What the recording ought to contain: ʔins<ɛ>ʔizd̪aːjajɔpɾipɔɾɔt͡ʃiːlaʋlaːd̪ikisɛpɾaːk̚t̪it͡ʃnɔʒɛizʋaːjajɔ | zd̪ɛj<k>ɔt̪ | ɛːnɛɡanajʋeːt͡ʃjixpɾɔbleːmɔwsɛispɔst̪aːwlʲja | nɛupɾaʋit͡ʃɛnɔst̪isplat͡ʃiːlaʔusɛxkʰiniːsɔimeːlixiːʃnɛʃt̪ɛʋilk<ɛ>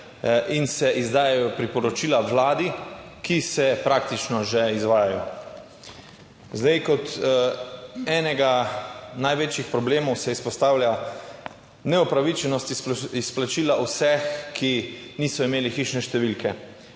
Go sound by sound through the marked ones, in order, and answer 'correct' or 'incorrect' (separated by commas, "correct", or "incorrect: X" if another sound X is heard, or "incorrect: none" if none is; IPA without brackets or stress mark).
correct, correct, correct